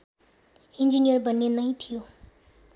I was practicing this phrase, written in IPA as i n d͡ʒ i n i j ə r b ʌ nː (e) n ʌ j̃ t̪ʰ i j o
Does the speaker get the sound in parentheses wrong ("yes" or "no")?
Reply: no